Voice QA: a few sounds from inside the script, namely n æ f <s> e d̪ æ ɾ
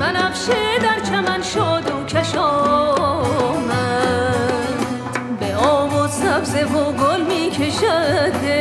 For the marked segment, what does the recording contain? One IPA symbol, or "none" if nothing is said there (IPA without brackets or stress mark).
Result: ʃ